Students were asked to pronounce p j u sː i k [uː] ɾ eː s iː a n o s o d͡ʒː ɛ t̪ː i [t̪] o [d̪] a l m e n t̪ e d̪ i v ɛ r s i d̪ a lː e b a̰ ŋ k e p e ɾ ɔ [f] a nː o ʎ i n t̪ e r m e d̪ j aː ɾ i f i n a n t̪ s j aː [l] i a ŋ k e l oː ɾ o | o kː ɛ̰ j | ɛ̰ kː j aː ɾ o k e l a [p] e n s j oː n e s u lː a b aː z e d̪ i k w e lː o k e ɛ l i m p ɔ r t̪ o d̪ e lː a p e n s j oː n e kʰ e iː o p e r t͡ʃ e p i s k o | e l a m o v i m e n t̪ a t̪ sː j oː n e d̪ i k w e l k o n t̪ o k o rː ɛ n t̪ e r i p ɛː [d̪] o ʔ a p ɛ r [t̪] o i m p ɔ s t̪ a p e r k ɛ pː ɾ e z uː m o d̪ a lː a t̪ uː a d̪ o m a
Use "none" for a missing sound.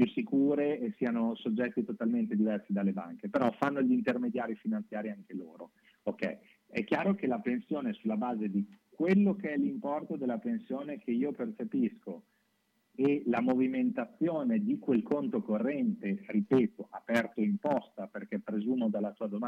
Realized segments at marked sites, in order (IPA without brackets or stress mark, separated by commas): uː, t̪, t̪, f, ɾ, p, t̪, t̪